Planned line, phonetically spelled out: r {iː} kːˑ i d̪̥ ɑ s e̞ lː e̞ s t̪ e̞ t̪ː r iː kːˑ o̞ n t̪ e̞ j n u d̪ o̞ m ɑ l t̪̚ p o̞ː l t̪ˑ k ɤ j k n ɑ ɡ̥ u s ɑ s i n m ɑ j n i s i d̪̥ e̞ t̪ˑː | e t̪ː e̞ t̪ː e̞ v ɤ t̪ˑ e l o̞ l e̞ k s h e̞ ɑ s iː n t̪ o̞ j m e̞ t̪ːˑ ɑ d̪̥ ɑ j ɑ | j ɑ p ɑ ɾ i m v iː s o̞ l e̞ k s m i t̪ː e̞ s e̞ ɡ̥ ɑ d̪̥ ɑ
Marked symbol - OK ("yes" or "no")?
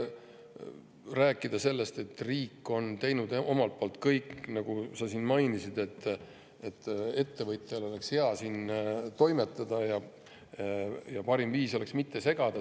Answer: no